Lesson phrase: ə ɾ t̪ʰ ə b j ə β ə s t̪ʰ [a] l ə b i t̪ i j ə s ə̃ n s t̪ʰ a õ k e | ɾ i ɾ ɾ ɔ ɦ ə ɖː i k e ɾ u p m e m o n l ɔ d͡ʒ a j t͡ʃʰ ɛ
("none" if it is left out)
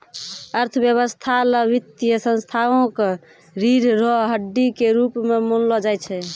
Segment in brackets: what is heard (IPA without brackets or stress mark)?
a